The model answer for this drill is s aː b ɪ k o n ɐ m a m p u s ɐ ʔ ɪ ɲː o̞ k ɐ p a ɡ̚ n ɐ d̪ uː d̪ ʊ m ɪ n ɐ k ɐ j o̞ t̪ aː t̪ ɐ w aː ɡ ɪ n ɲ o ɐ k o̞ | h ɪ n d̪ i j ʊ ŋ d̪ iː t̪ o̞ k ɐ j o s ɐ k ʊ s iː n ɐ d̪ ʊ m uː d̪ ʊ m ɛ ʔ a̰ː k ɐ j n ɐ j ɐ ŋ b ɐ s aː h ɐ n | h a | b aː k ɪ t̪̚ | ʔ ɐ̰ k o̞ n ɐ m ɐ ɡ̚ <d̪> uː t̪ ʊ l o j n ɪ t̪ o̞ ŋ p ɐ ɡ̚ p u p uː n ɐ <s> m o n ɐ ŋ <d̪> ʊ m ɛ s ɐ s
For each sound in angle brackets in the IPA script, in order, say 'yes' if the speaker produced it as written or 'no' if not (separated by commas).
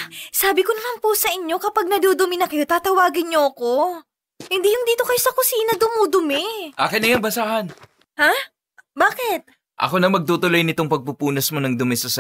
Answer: no, yes, yes